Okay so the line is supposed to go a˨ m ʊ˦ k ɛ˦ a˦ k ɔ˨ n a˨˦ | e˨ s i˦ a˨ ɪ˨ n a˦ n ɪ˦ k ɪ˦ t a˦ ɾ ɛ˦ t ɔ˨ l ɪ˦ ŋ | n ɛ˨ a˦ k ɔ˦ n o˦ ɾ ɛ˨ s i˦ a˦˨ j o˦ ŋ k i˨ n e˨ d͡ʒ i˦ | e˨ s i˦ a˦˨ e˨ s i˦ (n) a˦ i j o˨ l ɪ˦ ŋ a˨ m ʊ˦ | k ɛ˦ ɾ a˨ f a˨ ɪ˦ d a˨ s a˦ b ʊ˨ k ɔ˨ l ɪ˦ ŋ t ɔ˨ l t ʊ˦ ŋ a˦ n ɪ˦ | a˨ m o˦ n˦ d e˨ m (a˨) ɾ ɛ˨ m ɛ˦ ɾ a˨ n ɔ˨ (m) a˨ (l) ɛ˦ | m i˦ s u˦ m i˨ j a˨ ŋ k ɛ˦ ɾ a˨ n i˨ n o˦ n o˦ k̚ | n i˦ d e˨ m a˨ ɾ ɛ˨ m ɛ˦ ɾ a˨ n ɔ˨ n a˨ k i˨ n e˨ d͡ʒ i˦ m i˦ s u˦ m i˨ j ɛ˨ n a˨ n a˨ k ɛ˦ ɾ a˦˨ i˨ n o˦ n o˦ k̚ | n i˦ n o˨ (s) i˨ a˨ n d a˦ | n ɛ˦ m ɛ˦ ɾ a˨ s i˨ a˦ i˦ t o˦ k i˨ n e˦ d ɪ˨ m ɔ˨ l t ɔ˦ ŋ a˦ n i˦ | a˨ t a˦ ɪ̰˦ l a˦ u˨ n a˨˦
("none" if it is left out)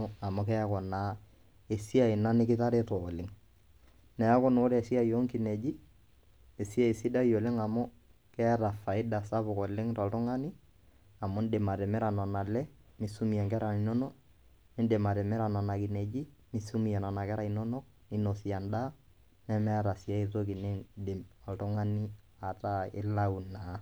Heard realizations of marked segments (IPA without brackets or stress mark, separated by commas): d, a˨, n, l, s